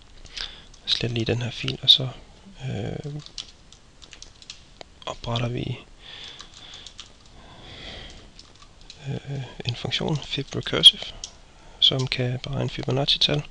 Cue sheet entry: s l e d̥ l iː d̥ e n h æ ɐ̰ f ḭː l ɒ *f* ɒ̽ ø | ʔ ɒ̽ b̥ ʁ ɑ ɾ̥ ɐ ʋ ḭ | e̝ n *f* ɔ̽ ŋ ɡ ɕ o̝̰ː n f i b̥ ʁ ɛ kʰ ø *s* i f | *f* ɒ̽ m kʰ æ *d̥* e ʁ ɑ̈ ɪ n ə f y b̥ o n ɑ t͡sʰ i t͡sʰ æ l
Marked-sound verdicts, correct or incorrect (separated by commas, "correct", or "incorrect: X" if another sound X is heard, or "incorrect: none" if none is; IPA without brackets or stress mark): incorrect: s, correct, correct, incorrect: s, incorrect: b̥